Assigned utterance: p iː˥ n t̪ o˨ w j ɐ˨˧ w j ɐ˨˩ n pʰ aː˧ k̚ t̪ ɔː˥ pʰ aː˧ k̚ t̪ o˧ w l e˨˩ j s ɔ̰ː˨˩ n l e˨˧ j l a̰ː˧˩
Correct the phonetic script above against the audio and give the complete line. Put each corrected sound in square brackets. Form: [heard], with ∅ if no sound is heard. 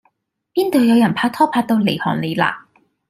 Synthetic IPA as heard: p iː˥ n t̪ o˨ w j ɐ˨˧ w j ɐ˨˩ n pʰ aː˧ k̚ [t̪ʰ] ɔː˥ pʰ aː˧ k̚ t̪ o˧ w l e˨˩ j [h] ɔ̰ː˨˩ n l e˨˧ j l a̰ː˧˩